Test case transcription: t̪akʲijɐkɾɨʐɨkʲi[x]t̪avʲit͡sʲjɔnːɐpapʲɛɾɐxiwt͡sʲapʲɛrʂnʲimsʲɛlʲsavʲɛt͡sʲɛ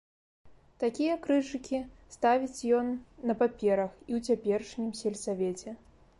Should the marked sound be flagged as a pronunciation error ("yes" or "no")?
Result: yes